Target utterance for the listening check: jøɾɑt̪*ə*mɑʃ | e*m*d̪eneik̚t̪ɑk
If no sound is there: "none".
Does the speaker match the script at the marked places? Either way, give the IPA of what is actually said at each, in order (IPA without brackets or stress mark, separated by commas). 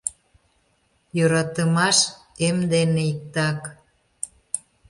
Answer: ə, m